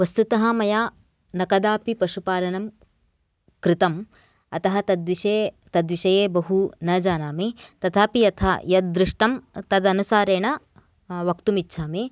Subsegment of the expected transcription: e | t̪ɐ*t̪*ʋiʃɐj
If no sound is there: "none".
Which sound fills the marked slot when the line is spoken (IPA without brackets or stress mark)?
d̪